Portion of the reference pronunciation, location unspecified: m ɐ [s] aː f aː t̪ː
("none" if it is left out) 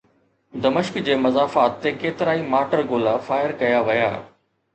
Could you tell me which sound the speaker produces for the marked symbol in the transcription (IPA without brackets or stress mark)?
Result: z